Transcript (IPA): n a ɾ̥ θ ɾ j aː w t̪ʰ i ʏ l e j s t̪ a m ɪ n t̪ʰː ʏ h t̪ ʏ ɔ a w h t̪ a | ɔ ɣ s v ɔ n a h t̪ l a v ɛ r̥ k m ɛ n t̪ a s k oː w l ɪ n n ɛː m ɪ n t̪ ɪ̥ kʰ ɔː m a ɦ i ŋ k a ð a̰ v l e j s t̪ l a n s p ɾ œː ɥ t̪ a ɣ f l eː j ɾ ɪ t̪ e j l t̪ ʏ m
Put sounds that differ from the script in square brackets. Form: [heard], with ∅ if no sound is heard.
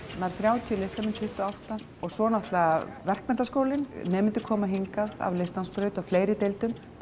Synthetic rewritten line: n a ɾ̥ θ ɾ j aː w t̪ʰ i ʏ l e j s t̪ a m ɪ n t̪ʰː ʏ h t̪ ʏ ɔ a w h t̪ a | ɔ ɣ s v ɔ n a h t̪ l a v ɛ r̥ k m ɛ n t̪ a s k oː w l ɪ n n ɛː m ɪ n t̪ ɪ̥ kʰ ɔː m a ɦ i ŋ k a ð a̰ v l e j s t̪ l a n s p ɾ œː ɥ t̪ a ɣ f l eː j ɾ ɪ t̪ e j l t̪ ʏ m